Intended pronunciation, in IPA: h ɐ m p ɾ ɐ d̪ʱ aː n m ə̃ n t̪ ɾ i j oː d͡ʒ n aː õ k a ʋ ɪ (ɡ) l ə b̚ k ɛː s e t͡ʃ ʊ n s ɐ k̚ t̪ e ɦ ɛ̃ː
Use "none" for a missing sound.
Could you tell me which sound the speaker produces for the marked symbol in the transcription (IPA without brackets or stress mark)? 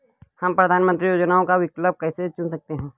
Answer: k